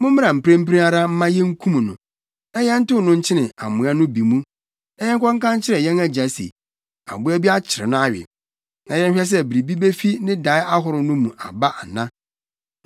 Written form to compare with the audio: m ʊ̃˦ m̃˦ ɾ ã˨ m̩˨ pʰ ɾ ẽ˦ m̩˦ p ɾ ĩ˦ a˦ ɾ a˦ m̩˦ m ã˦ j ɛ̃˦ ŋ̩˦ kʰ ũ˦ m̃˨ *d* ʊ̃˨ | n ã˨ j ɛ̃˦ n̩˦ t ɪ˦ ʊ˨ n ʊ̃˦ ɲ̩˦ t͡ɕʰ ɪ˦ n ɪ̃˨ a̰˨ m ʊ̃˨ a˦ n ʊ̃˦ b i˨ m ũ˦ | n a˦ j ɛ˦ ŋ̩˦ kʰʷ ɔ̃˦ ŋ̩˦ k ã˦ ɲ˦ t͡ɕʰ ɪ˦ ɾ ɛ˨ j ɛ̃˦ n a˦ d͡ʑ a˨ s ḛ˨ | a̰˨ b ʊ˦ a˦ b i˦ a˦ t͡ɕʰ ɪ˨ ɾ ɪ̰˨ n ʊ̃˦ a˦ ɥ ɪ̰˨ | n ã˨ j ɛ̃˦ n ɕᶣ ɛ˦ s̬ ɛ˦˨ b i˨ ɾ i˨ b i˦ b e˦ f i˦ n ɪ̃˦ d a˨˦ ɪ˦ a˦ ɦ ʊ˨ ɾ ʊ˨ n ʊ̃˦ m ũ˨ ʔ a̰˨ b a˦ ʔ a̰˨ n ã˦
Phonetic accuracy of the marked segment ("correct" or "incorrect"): incorrect